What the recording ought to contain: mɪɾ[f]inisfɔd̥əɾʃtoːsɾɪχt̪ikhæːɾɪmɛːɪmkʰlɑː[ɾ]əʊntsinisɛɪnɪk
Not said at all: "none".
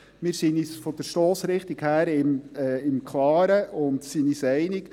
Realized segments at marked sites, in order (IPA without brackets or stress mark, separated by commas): s, ɾ